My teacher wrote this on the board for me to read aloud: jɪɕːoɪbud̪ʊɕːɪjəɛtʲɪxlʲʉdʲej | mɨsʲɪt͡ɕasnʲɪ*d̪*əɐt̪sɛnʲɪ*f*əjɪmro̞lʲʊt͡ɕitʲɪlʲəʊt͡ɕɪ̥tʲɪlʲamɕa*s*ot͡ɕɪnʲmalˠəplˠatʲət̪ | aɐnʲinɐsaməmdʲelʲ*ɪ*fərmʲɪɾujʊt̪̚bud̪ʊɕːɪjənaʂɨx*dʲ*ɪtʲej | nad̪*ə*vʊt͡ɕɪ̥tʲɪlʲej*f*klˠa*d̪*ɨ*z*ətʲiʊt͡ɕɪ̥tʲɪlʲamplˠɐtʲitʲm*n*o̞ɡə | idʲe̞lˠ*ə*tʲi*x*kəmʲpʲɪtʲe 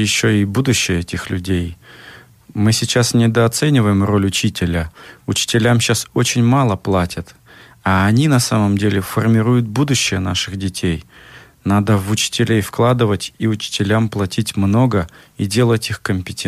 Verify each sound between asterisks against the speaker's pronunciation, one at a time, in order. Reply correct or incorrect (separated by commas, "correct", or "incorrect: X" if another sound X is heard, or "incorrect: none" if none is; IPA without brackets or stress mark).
correct, incorrect: v, correct, correct, correct, correct, correct, correct, incorrect: v, correct, correct, correct